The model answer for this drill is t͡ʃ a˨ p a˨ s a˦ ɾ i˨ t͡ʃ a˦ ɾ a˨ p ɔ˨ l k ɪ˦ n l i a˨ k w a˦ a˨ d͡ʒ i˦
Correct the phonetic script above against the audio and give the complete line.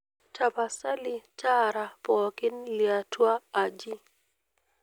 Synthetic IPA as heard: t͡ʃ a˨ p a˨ s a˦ l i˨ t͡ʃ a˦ ɾ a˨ p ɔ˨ k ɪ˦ n l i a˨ t w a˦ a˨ d͡ʒ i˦